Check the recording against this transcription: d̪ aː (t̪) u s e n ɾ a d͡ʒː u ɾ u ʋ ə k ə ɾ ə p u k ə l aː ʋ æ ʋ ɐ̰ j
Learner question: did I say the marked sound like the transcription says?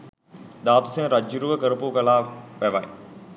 yes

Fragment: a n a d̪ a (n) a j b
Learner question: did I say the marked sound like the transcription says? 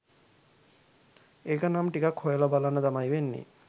no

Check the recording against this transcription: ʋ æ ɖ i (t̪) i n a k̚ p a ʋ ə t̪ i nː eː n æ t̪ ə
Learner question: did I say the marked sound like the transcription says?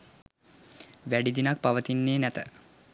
no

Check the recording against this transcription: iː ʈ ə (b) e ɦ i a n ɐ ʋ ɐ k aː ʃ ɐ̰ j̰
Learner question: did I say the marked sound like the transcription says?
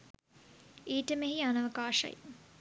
no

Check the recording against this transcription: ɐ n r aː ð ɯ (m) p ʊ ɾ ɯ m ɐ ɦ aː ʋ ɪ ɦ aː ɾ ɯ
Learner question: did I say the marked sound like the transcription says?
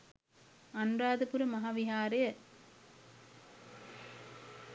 no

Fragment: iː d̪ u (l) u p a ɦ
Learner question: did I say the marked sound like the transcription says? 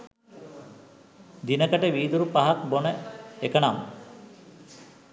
no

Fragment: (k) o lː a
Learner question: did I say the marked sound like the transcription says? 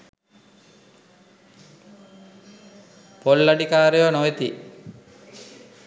no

